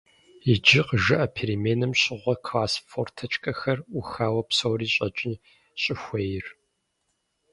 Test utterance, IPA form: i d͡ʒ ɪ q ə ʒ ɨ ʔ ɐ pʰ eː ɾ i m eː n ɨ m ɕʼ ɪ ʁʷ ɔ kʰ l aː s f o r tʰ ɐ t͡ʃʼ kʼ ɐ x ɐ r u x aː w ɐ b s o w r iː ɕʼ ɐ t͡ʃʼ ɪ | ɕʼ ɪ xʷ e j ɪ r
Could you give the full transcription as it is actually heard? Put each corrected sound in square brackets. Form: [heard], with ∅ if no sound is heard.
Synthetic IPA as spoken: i d͡ʒ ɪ q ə ʒ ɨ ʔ ɐ pʰ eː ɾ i m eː n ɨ m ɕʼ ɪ ʁʷ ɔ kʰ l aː s f o r tʰ ɐ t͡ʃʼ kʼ ɐ x ɐ r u x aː w ɐ [p] s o w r iː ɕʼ ɐ t͡ʃʼ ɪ | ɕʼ ɪ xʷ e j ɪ r